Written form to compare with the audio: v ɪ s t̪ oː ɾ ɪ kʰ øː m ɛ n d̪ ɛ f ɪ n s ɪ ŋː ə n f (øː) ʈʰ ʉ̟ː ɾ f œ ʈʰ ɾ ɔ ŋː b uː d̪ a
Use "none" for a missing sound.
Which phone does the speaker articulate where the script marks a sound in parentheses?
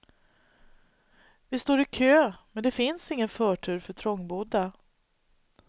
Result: œː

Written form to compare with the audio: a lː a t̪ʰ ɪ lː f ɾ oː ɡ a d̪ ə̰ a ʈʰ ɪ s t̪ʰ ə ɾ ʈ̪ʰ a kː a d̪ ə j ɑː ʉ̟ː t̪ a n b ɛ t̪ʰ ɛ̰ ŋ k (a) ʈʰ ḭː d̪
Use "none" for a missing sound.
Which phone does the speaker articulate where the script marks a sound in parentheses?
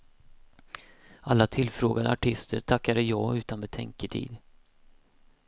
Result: ə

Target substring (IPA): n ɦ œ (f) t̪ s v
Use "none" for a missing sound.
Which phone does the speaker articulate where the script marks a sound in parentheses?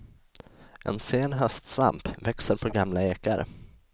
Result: s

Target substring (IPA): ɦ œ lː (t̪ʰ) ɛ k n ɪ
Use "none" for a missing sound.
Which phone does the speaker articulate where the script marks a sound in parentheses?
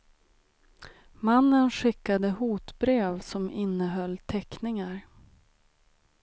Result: t̪ʰ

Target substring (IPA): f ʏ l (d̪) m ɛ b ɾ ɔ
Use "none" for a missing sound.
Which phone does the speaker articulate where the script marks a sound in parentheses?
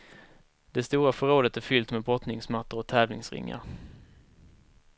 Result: t̪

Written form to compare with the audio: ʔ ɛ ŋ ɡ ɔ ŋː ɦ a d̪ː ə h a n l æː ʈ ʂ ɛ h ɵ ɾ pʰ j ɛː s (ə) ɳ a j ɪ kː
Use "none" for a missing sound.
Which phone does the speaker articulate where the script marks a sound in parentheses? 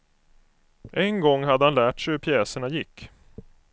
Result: ə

